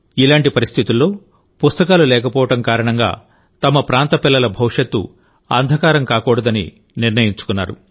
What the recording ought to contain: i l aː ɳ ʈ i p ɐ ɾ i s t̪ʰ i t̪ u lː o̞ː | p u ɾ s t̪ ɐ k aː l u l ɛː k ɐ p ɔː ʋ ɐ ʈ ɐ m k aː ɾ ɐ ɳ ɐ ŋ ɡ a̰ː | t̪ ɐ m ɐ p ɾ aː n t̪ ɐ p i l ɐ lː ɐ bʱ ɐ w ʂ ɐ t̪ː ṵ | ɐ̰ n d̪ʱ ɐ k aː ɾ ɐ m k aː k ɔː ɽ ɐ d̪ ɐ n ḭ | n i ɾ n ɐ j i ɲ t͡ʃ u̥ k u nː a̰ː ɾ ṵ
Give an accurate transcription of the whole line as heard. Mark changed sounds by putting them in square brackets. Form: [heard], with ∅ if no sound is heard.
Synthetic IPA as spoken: i l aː ɳ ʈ i p ɐ ɾ i s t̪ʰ i t̪ u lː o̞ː | p u [∅] s t̪ ɐ k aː l u l ɛː k ɐ p ɔː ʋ ɐ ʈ ɐ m k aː ɾ ɐ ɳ ɐ ŋ ɡ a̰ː | t̪ ɐ m ɐ p ɾ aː n t̪ ɐ p i [lː] ɐ [l] ɐ bʱ ɐ w ʂ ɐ t̪ː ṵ | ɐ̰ n d̪ʱ ɐ k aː ɾ ɐ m k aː k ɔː ɽ ɐ d̪ ɐ n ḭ | n i ɾ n ɐ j i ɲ t͡ʃ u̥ k u nː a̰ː ɾ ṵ